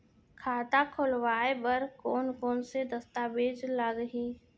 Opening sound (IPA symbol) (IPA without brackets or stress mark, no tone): kʰ